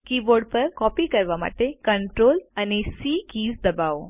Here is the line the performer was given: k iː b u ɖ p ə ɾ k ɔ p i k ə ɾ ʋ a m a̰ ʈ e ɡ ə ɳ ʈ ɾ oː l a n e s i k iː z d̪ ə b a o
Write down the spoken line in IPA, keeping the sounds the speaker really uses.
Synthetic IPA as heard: k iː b o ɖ p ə ɾ k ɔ p i k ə ɾ ʋ a m a̰ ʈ e k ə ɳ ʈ ɾ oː l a n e s i k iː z d̪ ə b a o